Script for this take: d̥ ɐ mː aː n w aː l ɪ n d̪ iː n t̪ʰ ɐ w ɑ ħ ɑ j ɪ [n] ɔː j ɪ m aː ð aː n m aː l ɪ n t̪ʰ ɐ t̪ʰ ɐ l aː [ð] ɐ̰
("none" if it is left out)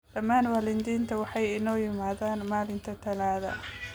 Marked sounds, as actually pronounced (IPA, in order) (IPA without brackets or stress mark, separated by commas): n, ð